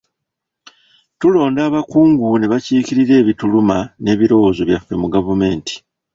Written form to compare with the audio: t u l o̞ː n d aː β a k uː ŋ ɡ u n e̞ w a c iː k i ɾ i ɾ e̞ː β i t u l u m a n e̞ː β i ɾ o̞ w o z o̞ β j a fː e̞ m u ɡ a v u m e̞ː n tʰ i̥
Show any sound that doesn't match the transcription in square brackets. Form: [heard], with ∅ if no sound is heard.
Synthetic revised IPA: t u l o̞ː n d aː β a k uː ŋ ɡ u n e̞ [β] a c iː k i ɾ i ɾ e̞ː β i t u l u m a n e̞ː β i ɾ o̞ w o z o̞ β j a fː e̞ m u ɡ a v u m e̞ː n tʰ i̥